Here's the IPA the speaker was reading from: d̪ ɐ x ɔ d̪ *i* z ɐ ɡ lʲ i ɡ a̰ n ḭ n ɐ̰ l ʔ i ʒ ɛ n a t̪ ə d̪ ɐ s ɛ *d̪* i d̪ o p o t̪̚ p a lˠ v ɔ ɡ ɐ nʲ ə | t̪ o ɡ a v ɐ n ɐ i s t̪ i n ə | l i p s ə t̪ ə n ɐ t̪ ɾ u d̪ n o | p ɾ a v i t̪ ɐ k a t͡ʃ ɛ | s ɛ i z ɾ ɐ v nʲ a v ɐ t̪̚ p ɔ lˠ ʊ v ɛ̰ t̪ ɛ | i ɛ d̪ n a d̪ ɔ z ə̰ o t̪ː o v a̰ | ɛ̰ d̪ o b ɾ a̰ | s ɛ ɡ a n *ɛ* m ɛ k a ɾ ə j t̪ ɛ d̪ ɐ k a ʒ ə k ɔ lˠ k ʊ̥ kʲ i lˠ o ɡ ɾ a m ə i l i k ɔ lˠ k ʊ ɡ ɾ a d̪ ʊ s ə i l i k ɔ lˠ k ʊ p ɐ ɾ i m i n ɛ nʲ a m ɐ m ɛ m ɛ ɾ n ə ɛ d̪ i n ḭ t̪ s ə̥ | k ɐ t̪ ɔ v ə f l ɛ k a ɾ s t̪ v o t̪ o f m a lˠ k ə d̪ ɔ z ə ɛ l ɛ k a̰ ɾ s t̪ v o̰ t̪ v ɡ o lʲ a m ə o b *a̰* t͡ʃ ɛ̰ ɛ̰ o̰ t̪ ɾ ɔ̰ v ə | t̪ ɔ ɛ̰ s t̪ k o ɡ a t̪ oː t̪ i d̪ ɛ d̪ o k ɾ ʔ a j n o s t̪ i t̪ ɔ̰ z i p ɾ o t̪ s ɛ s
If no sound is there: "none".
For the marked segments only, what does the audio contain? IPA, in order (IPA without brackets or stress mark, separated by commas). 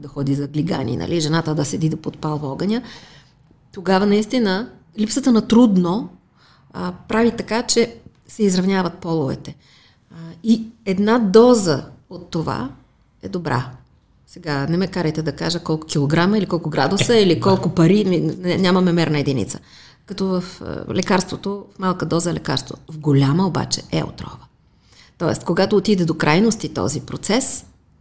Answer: i, d̪, ɛ, a̰